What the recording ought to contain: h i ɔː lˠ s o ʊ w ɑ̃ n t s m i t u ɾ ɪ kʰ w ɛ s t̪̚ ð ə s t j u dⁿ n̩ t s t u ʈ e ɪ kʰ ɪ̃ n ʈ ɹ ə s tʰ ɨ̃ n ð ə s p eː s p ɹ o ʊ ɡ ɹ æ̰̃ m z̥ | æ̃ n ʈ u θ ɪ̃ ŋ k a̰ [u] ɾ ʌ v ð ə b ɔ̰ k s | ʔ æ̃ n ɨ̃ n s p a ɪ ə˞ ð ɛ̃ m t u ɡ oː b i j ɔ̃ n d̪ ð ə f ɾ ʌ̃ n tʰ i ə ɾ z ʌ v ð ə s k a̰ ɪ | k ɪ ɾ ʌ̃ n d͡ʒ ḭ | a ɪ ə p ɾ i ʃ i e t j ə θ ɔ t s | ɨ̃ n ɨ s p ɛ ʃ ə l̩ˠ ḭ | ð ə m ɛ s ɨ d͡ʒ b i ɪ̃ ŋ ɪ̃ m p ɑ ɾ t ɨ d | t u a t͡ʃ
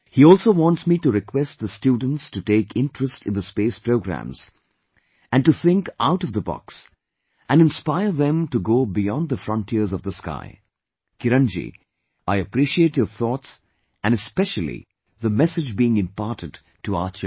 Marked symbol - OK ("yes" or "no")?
no